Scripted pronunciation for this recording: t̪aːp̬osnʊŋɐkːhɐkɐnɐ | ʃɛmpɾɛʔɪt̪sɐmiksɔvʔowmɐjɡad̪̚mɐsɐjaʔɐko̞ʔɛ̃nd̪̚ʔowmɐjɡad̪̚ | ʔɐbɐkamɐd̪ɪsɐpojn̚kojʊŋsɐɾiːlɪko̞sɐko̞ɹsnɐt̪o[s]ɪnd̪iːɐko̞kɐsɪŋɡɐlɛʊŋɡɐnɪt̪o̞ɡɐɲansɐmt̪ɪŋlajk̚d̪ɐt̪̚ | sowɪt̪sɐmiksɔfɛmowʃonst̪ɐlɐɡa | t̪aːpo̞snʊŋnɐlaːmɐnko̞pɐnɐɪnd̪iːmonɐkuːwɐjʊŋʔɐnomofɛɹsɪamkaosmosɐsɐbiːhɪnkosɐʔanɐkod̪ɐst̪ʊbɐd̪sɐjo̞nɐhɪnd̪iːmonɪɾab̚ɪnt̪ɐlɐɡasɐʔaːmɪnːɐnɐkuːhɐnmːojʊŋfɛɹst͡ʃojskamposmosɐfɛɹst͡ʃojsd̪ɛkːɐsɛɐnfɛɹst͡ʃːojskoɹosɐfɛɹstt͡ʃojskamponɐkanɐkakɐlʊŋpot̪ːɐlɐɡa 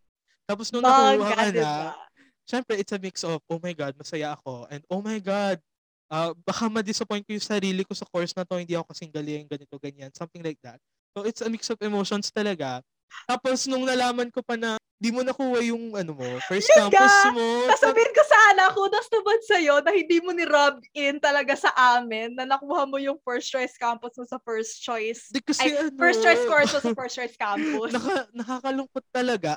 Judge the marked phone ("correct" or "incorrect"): incorrect